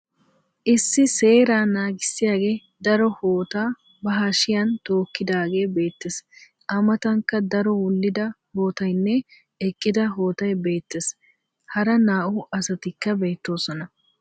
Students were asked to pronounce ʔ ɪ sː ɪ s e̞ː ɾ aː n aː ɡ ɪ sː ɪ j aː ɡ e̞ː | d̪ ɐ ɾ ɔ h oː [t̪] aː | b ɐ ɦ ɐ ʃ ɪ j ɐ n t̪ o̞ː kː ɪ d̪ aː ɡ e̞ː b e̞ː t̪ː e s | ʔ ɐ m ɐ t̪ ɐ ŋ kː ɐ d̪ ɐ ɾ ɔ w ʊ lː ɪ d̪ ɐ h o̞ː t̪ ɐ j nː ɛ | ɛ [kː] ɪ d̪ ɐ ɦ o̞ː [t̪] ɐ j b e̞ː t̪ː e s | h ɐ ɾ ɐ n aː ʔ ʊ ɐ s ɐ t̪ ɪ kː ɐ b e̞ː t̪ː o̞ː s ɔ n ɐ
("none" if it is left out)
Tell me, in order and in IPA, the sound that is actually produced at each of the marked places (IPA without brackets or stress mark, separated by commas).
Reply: t̪, kʼː, t̪